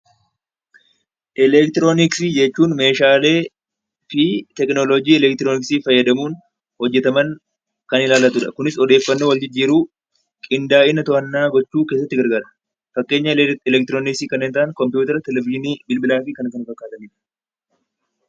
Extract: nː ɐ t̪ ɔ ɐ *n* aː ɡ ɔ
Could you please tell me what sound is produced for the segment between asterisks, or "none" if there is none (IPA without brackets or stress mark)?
nː